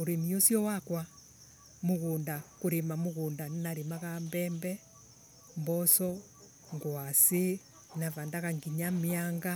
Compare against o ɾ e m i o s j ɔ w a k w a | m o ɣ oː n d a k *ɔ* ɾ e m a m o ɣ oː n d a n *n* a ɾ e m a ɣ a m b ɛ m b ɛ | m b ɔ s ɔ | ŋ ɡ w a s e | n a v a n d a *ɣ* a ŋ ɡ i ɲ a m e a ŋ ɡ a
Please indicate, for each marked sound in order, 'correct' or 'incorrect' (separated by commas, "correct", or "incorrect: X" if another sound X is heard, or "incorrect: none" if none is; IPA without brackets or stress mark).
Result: incorrect: o, correct, correct